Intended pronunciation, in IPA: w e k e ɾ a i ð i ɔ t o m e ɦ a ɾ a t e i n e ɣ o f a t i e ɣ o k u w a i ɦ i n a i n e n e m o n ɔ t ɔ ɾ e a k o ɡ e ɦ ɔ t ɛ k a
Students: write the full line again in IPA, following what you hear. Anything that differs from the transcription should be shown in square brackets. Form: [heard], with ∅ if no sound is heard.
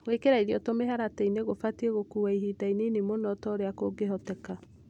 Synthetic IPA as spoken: w e k e ɾ a i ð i ɔ t o m e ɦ a ɾ a t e i n e ɣ o f a t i e ɣ o k u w a i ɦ i [d] a i n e n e m o n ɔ t ɔ ɾ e a k o ɡ e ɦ ɔ t ɛ k a